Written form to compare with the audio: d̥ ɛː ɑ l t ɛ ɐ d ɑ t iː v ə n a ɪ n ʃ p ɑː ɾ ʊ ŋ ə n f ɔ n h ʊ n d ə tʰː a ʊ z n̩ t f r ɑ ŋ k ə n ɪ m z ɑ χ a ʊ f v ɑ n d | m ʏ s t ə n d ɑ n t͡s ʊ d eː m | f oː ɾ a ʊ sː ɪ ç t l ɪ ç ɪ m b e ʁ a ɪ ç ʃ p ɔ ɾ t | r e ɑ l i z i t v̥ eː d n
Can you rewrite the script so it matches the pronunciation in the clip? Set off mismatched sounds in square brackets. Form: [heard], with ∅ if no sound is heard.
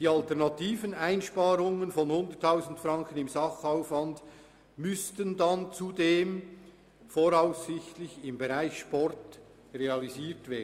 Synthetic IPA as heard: d̥ [iː] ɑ l t ɛ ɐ [n] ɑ t iː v ə n a ɪ n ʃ p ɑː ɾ ʊ ŋ ə n f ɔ n h ʊ n d ə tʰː a ʊ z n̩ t f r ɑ ŋ k ə n ɪ m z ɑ χ a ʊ f v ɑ n d | m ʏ s t ə n d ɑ n t͡s [u] d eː m | f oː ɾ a ʊ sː ɪ ç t l ɪ ç ɪ m b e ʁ a ɪ ç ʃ p ɔ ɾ t | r e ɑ l i z [iː] t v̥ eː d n